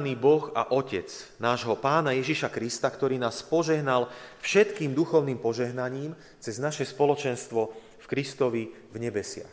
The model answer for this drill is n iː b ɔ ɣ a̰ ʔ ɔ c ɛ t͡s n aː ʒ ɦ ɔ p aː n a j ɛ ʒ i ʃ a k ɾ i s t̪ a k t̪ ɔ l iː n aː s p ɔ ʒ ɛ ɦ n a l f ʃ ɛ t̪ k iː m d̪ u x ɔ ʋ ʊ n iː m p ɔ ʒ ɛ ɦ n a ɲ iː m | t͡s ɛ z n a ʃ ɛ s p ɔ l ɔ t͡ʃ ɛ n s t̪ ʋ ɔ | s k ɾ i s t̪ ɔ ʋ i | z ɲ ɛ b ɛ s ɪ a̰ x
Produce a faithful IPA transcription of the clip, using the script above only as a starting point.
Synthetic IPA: n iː b ɔ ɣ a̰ ʔ ɔ c ɛ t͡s n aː ʒ ɦ ɔ p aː n a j ɛ ʒ i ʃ a k ɾ i s t̪ a k t̪ ɔ ɾ iː n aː s p ɔ ʒ ɛ ɦ n a l f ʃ ɛ t̪ k iː m d̪ u x ɔ ʊ n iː m p ɔ ʒ ɛ ɦ n a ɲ iː m | t͡s ɛ z n a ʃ ɛ s p ɔ l ɔ t͡ʃ ɛ n s t̪ ʋ ɔ | f k ɾ i s t̪ ɔ ʋ i | v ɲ ɛ b ɛ s ɪ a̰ x